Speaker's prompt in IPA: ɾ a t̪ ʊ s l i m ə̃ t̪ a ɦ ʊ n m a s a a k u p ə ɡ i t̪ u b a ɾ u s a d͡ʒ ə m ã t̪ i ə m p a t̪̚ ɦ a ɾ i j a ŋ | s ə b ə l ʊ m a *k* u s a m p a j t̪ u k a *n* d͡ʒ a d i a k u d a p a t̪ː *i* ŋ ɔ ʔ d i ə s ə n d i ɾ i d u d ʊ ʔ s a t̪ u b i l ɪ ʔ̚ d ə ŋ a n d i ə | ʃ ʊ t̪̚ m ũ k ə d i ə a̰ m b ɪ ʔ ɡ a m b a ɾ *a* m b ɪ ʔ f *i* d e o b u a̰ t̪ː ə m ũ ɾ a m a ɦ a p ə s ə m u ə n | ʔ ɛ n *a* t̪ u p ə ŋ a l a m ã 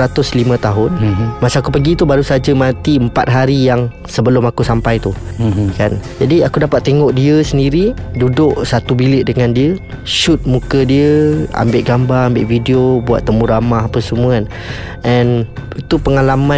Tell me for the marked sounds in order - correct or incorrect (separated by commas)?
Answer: correct, correct, incorrect, correct, correct, incorrect